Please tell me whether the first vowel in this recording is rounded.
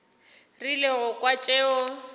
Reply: no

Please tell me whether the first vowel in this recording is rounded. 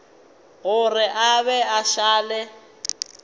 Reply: yes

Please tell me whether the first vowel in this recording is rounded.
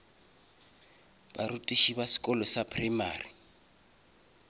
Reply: no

